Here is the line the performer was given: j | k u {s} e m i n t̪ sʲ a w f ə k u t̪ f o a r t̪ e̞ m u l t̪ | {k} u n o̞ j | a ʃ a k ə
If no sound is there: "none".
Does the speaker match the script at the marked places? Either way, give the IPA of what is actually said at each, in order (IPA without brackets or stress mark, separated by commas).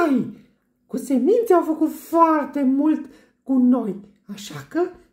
s, k